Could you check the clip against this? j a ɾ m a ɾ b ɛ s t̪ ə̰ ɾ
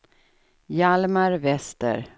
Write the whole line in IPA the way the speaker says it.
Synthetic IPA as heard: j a l m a ɾ v ɛ s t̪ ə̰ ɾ